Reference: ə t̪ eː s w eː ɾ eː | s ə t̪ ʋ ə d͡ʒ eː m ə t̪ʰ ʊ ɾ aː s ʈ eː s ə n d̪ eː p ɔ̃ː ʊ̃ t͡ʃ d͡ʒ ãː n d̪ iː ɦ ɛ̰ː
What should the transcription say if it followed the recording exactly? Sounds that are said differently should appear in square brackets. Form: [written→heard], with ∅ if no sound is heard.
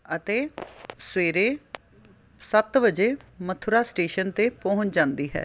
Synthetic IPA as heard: ə t̪ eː s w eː ɾ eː | s ə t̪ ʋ ə d͡ʒ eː m ə t̪ʰ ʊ ɾ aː s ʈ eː [s→ʃ] ə n [d̪→t̪] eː p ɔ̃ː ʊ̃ t͡ʃ d͡ʒ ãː n d̪ iː ɦ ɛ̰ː